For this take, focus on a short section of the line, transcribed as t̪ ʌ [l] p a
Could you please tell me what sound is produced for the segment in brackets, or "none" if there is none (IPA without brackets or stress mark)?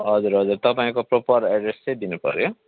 none